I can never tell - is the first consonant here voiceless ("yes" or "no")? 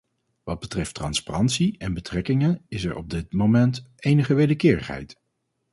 no